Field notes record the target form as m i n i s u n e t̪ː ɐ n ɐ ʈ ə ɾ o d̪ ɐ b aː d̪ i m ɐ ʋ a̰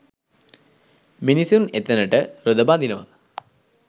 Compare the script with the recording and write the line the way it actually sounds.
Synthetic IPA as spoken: m i n i s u n e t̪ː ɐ n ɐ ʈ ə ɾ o d̪ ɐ b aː d̪ i n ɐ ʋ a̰